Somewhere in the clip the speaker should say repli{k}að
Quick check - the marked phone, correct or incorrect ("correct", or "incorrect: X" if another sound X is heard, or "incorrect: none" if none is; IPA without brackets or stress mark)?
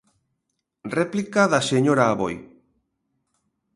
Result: correct